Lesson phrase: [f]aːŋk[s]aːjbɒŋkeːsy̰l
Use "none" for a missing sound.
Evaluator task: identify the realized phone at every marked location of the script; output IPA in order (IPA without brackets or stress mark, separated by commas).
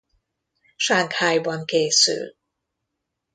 ʃ, h